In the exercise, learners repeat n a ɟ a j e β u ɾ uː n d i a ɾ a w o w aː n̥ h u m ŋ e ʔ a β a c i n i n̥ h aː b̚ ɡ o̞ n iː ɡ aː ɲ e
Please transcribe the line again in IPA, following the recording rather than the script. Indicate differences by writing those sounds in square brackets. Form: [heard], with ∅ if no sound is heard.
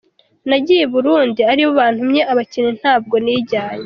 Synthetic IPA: n a ɟ [i] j e β u ɾ uː n d i a ɾ [i] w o [β] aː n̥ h u m [ɲ] e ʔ a β a c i n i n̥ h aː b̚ ɡ o̞ n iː [ɟ] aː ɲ e